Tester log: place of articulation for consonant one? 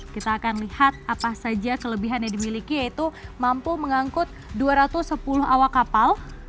velar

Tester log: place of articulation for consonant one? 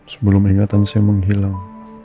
alveolar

